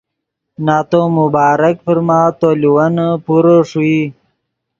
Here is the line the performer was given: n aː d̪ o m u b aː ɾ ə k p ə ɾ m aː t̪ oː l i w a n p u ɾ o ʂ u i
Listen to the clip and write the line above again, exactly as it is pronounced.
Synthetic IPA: n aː t̪ o m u b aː ɾ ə k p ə ɾ m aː t̪ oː l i w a n p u ɾ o ʂ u i